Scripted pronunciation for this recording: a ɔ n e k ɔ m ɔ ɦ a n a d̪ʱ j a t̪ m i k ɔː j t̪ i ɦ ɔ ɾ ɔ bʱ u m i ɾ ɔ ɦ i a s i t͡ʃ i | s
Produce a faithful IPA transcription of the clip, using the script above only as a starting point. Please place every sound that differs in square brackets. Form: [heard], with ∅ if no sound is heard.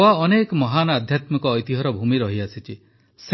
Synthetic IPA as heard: a ɔ n e k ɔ m ɔ ɦ a n a d̪ʱ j a t̪ m i k ɔː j t̪ i ɦ ɔ ɾ ɔ bʱ u m i ɾ ɔ ɦ i a s i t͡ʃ i | s